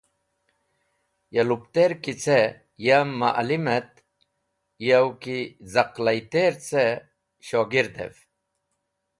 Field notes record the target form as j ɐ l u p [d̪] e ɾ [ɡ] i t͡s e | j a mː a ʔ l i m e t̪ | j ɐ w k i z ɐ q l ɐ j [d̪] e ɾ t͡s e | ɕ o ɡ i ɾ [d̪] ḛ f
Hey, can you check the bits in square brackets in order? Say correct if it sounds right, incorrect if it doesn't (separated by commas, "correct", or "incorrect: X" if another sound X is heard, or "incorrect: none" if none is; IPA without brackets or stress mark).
incorrect: t̪, incorrect: k, incorrect: t̪, correct